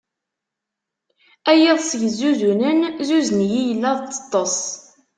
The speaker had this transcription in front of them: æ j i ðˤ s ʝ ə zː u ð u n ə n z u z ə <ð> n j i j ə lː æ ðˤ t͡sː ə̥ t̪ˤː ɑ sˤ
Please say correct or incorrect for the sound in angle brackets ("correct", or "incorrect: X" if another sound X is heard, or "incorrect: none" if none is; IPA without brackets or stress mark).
incorrect: none